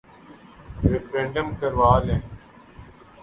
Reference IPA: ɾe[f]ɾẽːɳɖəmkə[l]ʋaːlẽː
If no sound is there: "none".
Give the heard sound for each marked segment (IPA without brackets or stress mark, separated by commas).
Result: f, ɾ